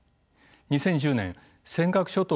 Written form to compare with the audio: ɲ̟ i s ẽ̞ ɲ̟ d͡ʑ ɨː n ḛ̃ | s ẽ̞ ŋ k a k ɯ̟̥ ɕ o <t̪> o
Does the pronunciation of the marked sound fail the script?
no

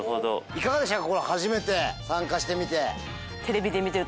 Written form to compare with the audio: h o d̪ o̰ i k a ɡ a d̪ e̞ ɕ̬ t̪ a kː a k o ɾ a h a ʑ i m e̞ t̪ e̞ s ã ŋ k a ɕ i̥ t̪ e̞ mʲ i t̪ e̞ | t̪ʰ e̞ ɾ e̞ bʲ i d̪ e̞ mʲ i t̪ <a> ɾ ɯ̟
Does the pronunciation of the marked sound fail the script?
yes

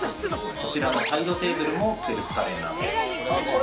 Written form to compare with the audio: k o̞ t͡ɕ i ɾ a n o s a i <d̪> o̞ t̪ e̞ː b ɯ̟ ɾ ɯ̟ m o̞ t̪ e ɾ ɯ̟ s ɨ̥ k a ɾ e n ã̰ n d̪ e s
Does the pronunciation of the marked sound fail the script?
no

